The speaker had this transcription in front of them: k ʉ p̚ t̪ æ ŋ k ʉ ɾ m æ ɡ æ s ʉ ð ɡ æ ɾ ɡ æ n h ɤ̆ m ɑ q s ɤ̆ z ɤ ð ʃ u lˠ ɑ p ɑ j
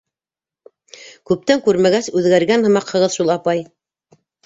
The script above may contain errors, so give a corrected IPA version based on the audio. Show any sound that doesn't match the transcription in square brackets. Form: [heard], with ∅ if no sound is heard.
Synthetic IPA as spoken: k ʉ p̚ t̪ æ ŋ k ʉ ɾ m æ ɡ æ s ʉ ð ɡ æ ɾ ɡ æ n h ɤ̆ m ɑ q [h] ɤ̆ [ʁ] ɤ ð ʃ u lˠ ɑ p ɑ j